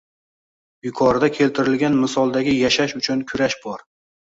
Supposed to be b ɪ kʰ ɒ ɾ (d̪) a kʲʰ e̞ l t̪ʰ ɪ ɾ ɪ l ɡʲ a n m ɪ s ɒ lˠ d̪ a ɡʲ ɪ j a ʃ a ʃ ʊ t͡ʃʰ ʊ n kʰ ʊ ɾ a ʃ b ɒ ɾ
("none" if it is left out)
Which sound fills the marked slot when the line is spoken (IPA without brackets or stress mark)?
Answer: d̪